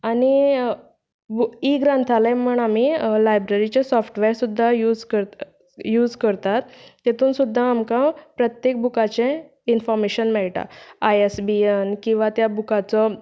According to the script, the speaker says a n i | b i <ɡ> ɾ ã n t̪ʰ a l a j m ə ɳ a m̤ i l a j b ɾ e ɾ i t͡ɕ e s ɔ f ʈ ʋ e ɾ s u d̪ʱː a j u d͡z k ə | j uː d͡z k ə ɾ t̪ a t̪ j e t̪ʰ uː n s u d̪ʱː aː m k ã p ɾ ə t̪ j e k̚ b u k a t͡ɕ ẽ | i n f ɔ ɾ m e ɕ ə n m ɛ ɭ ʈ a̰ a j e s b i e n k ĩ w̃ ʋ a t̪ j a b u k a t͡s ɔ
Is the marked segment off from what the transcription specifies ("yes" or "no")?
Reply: no